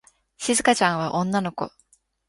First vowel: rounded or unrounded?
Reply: unrounded